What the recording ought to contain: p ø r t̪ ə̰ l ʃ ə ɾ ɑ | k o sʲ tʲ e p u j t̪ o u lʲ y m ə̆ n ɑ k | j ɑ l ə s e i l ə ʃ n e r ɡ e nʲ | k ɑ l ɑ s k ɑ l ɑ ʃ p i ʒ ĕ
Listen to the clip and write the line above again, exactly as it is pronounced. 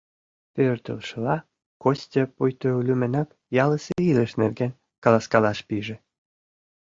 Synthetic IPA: p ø r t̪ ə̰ l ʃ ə l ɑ | k o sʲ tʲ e p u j t̪ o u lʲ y m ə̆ n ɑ k | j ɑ l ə s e i l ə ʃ n e r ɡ e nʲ | k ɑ l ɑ s k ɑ l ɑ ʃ p i ʒ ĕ